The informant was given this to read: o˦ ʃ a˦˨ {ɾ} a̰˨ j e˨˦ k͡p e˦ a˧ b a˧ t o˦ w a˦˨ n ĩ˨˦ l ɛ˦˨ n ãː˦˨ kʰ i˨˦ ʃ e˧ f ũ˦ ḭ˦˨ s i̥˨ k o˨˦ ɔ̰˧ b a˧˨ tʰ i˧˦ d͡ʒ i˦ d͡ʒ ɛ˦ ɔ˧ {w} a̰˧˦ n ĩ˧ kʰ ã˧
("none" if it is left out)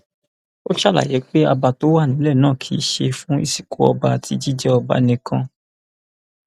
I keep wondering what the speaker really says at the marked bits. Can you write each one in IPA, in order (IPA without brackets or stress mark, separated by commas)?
l, b